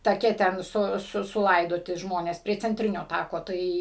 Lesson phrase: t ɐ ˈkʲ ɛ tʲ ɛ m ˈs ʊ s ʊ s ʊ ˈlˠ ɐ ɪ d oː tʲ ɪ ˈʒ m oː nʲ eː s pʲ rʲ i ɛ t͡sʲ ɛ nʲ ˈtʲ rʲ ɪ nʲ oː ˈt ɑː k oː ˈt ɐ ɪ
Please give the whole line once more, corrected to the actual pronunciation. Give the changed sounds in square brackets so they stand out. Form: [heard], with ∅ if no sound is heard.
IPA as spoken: t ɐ ˈkʲ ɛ tʲ ɛ [n] ˈs ʊ s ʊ s ʊ ˈlˠ ɐ ɪ d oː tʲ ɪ ˈʒ m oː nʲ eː s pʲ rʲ i ɛ t͡sʲ ɛ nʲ ˈtʲ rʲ ɪ nʲ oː ˈt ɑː k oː ˈt ɐ ɪ